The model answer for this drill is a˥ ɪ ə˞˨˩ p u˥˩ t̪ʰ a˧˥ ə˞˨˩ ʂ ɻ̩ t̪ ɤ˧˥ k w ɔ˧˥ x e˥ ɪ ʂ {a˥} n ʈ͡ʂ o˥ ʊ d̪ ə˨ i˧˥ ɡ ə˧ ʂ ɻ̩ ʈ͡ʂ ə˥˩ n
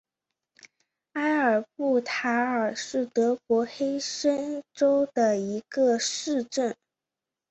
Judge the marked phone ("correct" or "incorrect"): incorrect